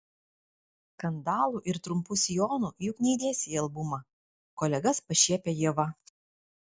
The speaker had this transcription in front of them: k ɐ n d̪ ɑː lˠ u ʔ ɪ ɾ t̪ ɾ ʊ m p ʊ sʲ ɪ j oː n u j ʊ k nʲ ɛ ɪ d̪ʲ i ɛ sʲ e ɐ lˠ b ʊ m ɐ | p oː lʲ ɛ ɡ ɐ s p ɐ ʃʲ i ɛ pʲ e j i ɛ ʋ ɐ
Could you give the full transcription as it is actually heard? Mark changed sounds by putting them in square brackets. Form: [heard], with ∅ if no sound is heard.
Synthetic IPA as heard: k ɐ n d̪ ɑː lˠ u ʔ ɪ ɾ t̪ ɾ ʊ m p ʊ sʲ ɪ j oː n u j ʊ k nʲ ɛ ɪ d̪ʲ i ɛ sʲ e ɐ lˠ b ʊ m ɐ | [k] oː lʲ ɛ ɡ ɐ s p ɐ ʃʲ i ɛ pʲ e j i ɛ ʋ ɐ